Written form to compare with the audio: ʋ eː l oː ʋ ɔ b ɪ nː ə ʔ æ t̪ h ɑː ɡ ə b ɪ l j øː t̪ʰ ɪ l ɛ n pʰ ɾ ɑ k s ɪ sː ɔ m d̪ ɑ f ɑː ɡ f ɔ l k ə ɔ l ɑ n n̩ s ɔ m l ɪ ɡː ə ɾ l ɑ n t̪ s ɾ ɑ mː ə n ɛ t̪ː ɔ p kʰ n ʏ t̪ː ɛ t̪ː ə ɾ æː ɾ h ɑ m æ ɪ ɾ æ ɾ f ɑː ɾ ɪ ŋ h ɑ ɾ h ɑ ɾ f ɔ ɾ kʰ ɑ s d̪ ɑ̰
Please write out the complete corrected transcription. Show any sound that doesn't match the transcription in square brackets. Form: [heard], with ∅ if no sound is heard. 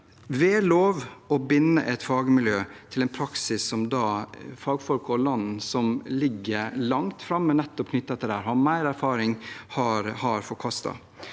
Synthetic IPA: ʋ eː l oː ʋ ɔ b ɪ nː ə ʔ [ɛ] t̪ [f] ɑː ɡ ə [m] ɪ l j øː t̪ʰ ɪ l ɛ n pʰ ɾ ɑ k s ɪ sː ɔ m d̪ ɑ f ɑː ɡ f ɔ l k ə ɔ l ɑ n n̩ s ɔ m l ɪ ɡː ə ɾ l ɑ [ŋ] t̪ [f] ɾ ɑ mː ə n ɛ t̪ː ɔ p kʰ n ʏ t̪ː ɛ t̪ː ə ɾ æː ɾ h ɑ m æ ɪ ɾ æ ɾ f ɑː ɾ ɪ ŋ h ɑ ɾ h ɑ ɾ f ɔ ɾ kʰ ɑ s [t̪] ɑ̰